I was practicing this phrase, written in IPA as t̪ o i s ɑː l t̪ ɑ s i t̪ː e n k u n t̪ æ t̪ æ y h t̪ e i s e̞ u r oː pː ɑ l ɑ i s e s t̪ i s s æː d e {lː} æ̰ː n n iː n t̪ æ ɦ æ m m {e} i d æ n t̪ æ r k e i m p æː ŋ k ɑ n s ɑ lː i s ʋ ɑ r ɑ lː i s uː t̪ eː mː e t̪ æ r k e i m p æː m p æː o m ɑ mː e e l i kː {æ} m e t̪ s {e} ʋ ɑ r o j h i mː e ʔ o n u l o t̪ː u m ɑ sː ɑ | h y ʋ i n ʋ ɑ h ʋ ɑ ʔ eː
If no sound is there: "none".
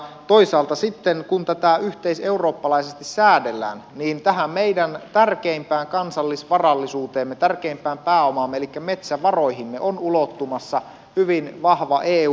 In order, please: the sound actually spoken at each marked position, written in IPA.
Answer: lː, e, æ, æ

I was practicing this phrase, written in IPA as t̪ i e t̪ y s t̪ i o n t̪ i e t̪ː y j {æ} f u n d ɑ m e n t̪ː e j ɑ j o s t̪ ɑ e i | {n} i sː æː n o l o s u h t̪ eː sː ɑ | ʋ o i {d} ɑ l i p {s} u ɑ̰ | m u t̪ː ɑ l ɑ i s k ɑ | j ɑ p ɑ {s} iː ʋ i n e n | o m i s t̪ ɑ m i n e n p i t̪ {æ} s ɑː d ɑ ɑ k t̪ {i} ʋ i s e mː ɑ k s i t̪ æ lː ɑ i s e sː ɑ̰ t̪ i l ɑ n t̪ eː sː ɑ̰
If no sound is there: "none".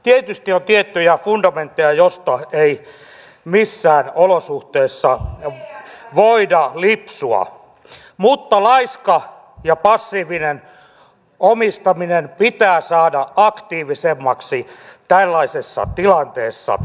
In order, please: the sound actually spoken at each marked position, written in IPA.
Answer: æ, m, d, s, sː, æː, iː

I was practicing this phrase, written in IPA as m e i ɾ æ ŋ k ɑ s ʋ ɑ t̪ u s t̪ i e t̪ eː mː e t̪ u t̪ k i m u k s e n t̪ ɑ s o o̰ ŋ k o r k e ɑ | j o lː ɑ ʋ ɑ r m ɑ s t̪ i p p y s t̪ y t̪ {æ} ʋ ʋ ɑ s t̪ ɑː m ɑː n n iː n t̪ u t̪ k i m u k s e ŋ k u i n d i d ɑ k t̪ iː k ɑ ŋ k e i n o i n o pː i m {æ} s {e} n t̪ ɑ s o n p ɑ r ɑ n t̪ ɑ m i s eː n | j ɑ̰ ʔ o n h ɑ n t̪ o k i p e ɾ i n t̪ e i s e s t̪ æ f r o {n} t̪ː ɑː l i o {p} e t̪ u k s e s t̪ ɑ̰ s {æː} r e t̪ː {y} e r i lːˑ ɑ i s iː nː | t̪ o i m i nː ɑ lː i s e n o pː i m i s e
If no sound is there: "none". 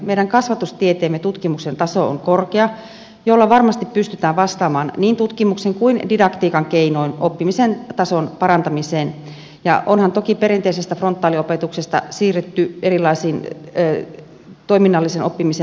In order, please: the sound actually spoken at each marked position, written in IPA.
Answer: æː, i, e, n, p, iː, y

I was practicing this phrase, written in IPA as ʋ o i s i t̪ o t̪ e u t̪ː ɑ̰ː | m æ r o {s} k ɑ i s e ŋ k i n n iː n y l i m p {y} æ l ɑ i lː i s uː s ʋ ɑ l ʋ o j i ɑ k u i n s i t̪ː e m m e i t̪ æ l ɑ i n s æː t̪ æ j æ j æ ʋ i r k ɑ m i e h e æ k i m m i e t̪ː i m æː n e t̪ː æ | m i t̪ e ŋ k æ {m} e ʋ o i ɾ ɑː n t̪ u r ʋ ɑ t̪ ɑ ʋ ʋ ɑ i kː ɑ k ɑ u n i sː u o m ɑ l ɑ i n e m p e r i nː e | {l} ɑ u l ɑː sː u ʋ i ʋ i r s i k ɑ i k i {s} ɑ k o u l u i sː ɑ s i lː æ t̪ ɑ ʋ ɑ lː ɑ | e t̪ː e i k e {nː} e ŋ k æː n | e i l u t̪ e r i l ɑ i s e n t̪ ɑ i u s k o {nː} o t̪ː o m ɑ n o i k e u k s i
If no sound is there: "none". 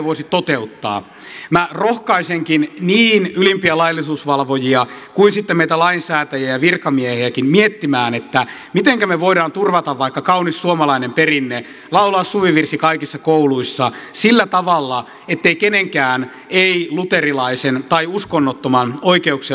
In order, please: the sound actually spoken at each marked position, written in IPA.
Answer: h, i, m, l, sː, n, nː

